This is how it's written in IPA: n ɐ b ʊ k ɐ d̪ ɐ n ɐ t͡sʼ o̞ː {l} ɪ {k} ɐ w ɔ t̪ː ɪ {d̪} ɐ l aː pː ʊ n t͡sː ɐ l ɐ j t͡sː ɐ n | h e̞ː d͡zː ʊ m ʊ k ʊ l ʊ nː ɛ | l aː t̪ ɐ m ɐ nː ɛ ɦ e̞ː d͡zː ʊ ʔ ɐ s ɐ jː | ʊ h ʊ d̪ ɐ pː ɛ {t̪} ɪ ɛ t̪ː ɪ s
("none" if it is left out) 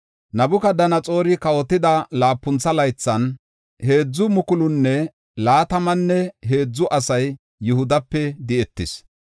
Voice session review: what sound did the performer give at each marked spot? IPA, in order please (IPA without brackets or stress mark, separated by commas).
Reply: ɾ, k, d̪, d̪